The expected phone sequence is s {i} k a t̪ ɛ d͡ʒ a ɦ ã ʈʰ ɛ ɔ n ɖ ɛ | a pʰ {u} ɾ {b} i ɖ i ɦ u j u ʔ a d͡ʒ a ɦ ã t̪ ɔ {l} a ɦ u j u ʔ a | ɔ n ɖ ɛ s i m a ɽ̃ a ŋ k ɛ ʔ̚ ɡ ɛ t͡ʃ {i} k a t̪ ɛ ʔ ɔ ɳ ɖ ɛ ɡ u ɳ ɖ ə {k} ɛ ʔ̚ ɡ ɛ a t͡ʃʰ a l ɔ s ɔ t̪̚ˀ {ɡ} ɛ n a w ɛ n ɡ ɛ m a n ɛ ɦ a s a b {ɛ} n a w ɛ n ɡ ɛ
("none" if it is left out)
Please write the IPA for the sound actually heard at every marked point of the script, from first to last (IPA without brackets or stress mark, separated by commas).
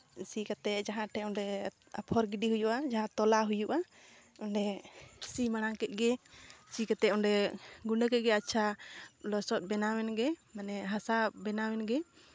i, ɔ, ɡ, l, i, k, b, ɛ